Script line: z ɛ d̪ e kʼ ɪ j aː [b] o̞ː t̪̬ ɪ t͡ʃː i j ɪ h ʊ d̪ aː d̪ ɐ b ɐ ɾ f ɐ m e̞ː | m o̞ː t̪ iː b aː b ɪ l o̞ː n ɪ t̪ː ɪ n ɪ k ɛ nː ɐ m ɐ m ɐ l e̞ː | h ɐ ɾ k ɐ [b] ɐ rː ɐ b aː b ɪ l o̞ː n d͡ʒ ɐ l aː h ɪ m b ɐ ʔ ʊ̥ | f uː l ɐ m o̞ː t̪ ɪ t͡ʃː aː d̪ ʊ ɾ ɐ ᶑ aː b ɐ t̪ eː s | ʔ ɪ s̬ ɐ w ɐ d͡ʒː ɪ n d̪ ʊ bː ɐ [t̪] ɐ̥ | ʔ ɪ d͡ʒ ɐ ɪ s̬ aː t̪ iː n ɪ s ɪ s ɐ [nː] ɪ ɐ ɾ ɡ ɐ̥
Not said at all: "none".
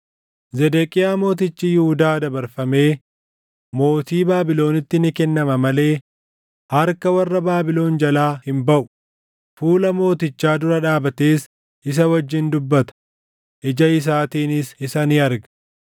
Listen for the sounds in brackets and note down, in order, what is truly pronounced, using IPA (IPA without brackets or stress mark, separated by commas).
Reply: m, w, t̪, n